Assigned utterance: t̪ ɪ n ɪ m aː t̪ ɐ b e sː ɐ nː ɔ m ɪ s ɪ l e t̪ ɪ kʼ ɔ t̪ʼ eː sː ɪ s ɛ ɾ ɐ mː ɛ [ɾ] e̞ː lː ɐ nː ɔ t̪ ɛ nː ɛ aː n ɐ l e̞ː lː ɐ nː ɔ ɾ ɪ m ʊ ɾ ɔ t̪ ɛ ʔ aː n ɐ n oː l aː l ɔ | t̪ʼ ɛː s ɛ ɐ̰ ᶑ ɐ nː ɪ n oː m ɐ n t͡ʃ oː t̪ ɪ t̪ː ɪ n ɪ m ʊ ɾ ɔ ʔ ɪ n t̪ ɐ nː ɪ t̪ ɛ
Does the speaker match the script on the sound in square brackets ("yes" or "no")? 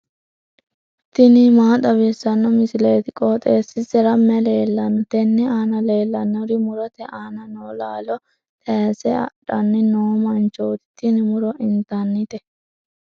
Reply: no